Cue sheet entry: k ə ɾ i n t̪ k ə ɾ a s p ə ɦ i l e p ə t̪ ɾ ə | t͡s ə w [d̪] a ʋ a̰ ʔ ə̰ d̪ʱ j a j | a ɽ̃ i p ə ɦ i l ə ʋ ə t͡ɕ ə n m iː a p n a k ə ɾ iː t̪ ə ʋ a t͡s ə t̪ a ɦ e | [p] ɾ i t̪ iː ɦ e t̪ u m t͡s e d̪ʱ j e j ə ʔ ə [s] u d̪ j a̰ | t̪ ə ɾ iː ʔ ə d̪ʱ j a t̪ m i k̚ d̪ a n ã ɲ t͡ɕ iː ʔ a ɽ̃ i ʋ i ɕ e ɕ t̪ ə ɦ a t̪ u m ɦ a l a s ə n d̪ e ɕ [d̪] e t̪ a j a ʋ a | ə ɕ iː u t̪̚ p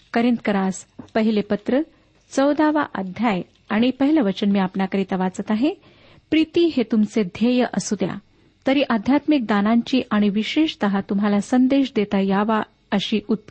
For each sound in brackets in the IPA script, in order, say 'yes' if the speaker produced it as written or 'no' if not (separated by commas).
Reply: yes, yes, yes, yes